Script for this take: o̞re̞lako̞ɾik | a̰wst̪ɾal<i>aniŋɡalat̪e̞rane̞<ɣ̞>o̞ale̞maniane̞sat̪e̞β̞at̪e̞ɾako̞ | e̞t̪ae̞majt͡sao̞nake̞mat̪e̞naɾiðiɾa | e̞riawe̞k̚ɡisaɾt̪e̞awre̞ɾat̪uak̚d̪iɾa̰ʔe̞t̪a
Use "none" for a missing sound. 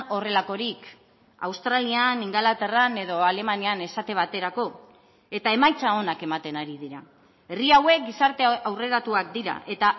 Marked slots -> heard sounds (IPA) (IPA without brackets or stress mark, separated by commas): i, ð̞